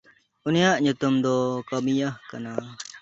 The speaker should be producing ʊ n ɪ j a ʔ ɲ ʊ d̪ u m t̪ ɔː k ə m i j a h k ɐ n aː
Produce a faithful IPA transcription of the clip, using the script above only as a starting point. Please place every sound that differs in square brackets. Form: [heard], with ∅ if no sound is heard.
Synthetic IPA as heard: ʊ n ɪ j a ʔ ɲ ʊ [t̪] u m [d̪] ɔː k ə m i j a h k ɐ n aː